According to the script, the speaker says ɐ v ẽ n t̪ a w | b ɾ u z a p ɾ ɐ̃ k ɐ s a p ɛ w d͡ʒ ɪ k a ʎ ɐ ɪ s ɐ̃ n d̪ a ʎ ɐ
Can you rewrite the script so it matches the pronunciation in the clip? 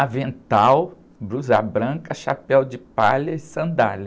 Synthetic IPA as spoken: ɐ v ẽ n t̪ a w | b ɾ u z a b ɾ ɐ̃ k ɐ ʃ a p ɛ w d͡ʒ ɪ p a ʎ ɐ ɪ s ɐ̃ n d̪ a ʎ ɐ

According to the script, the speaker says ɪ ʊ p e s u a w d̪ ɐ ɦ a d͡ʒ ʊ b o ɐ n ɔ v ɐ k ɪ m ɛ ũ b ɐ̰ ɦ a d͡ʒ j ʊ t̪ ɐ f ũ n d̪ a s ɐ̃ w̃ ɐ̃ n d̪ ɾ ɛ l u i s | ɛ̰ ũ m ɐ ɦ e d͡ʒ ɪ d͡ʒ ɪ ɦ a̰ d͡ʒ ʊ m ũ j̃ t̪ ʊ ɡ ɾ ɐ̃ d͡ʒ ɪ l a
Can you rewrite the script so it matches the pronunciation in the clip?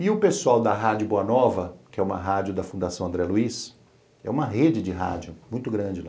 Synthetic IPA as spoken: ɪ ʊ p e s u a w d̪ ɐ ɦ a d͡ʒ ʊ b o ɐ n ɔ v ɐ k ɪ ɛ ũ m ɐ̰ ɦ a d͡ʒ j ʊ d̪ ɐ f ũ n d̪ a s ɐ̃ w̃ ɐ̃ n d̪ ɾ ɛ l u i s | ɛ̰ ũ m ɐ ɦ e d͡ʒ ɪ d͡ʒ ɪ ɦ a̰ d͡ʒ ʊ m ũ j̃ t̪ ʊ ɡ ɾ ɐ̃ d͡ʒ ɪ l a

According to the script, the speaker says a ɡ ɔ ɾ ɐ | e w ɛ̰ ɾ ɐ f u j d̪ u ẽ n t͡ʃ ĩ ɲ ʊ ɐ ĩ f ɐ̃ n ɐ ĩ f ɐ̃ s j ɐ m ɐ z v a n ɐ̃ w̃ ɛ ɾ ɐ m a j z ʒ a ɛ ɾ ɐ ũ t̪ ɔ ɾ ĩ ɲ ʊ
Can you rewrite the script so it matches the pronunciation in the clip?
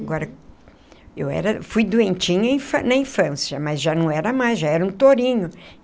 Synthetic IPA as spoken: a ɡ ɔ ɾ ɐ | e w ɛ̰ ɾ ɐ f u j d̪ u ẽ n t͡ʃ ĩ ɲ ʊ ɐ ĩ f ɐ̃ n ɐ ĩ f ɐ̃ s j ɐ m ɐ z ʒ a n ɐ̃ w̃ ɛ ɾ ɐ m a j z ʒ a ɛ ɾ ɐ ũ t̪ o ɾ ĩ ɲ ʊ

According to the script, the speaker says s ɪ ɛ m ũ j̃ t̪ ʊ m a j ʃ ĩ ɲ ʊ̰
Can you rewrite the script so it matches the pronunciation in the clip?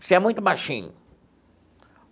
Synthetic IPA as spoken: s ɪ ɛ m ũ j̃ t̪ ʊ b a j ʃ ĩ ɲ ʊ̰

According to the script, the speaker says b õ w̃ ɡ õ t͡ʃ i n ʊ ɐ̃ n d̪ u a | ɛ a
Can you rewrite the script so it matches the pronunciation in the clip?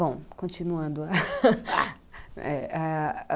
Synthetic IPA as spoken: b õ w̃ k õ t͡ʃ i n u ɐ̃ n d̪ ʊ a | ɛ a

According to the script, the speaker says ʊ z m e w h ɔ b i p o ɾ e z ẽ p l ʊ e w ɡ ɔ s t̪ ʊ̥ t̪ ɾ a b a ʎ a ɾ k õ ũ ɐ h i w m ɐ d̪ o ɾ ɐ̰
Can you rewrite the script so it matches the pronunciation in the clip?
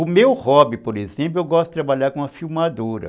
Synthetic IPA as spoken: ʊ m e w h ɔ b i p o ɾ e z ẽ p l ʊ e w ɡ ɔ s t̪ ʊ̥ t̪ ɾ a b a ʎ a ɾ k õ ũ ɐ f i w m a d̪ o ɾ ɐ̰

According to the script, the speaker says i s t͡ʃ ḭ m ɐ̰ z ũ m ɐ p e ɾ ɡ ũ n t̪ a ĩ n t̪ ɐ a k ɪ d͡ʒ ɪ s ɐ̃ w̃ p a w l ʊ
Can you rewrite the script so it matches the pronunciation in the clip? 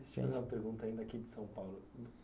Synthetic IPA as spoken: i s t͡ʃ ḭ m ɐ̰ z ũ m ɐ p e ɾ ɡ ũ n t̪ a ĩ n d̪ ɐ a k i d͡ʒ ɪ s ɐ̃ w̃ p a w l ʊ

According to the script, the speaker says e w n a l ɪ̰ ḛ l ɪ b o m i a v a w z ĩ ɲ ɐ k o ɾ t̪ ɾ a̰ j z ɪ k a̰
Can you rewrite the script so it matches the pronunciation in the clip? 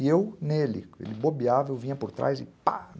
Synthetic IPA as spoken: e w n e l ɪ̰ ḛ l ɪ b o b i a v e w v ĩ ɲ ɐ p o ɾ t̪ ɾ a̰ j z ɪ p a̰

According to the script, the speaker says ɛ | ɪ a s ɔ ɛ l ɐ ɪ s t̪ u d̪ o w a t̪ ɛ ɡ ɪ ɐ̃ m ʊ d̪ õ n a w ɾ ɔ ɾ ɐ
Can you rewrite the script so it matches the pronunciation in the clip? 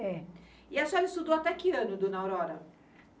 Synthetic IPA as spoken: ɛ | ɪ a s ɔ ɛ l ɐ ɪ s t̪ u d̪ o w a t̪ ɛ k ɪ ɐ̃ n ʊ d̪ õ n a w ɾ ɔ ɾ ɐ

